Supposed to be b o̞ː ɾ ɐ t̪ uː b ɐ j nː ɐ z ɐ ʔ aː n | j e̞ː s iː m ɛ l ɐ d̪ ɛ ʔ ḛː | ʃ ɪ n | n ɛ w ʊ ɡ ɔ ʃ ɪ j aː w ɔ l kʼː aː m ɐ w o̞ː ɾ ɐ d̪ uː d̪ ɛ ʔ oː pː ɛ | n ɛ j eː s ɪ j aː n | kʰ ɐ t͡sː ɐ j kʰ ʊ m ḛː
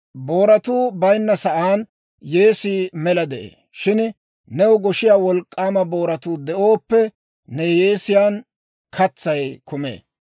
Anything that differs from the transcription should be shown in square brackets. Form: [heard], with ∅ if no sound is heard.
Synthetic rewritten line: b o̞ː ɾ ɐ t̪ uː b ɐ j nː ɐ [s] ɐ ʔ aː n | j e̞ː s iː m ɛ l ɐ d̪ ɛ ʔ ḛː | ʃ ɪ n | n ɛ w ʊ ɡ ɔ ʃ ɪ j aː w ɔ l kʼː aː m ɐ [b] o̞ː ɾ ɐ [t̪] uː d̪ ɛ ʔ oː pː ɛ | n ɛ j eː s ɪ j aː n | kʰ ɐ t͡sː ɐ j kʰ ʊ m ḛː

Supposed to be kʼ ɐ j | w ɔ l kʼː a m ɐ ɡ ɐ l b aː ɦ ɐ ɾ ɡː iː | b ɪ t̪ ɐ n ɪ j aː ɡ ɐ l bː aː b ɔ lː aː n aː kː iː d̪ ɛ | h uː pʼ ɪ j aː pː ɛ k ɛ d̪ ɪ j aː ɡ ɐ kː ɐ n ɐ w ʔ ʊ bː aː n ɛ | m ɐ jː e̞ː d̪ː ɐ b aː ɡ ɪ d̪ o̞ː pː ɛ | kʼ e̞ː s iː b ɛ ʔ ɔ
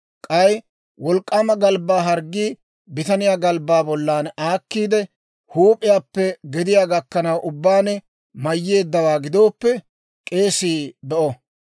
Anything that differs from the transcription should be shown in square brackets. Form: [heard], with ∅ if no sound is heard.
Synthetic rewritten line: kʼ ɐ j | w ɔ l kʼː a m ɐ ɡ ɐ l b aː ɦ ɐ ɾ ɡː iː | b ɪ t̪ ɐ n ɪ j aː ɡ ɐ l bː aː b ɔ lː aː n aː kː iː d̪ ɛ | h uː pʼ ɪ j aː pː ɛ [ɡ] ɛ d̪ ɪ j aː ɡ ɐ kː ɐ n ɐ w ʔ ʊ bː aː n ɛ | m ɐ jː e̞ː d̪ː ɐ [w] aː ɡ ɪ d̪ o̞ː pː ɛ | kʼ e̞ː s iː b ɛ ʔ ɔ

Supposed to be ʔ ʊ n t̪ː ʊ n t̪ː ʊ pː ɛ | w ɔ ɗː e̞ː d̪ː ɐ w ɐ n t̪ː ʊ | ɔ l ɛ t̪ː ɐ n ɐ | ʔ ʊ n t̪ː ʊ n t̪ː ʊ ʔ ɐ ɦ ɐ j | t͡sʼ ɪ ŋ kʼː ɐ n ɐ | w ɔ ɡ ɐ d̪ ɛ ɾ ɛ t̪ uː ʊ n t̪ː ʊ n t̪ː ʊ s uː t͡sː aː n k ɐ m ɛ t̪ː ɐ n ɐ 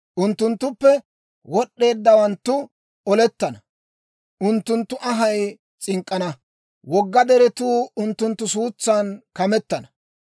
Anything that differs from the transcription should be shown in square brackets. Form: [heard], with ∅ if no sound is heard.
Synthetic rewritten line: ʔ ʊ n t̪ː ʊ n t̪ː ʊ pː ɛ | w ɔ ɗː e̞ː d̪ː ɐ w ɐ n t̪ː ʊ | ɔ l ɛ t̪ː ɐ n ɐ | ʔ ʊ n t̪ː ʊ n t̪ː ʊ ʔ ɐ ɦ ɐ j | t͡sʼ ɪ ŋ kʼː ɐ n ɐ | w ɔ [ɡː] ɐ d̪ ɛ ɾ ɛ t̪ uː ʊ n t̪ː ʊ n t̪ː ʊ s uː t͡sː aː n k ɐ m ɛ t̪ː ɐ n ɐ

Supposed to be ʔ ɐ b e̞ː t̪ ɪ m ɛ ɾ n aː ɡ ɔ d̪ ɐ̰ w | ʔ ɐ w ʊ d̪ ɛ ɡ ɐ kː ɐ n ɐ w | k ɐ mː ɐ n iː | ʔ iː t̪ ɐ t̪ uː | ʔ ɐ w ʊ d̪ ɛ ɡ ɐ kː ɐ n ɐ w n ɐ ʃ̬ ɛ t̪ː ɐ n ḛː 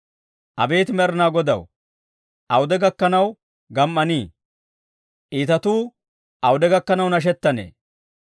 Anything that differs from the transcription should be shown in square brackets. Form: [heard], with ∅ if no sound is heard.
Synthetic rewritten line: ʔ ɐ b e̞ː t̪ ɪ m ɛ ɾ n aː ɡ ɔ d̪ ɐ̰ w | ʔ ɐ w ʊ d̪ ɛ ɡ ɐ kː ɐ n ɐ w | [ɡ] ɐ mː ɐ n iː | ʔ iː t̪ ɐ t̪ uː | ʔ ɐ w ʊ d̪ ɛ ɡ ɐ kː ɐ n ɐ w n ɐ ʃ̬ ɛ t̪ː ɐ n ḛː

